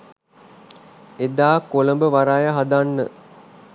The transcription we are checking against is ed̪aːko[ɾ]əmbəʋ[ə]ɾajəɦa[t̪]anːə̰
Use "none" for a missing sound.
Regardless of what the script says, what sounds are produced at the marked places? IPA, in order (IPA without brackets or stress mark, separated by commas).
l, a, d̪